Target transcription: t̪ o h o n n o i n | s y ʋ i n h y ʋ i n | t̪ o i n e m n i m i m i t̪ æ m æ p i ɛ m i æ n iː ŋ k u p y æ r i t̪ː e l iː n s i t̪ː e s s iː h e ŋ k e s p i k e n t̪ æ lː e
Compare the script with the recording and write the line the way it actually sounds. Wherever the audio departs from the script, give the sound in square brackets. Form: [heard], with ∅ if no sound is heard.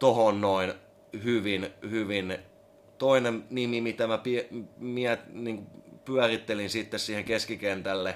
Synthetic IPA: t̪ o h o n n o i n | [h] y ʋ i n h y ʋ i n | t̪ o i n e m n i m i m i t̪ æ m æ p i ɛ m i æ n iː ŋ k u p y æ r i t̪ː e l [i] n s i t̪ː e s s iː h e ŋ k e s [k] i k e n t̪ æ lː e